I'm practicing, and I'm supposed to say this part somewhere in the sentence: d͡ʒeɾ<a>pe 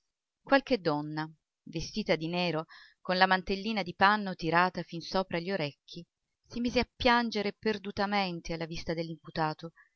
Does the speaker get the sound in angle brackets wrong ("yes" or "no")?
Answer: yes